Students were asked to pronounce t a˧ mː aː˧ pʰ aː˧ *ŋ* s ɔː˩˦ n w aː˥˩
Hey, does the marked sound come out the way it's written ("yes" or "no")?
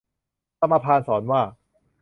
no